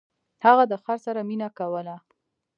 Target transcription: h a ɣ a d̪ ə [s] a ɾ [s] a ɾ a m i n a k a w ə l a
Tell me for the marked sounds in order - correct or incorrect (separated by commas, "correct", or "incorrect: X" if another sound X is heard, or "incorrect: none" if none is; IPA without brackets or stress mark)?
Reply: incorrect: x, correct